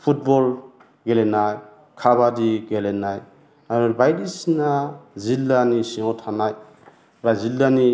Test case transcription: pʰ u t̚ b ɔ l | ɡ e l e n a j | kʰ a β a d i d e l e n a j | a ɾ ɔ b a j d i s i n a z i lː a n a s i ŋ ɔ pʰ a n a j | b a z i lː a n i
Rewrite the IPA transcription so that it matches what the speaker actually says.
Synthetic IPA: pʰ u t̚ b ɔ l | ɡ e l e n a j | kʰ a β a d i ɡ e l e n a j | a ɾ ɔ b a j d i s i n a z i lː a n i s i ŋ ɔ tʰ a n a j | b a z i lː a n i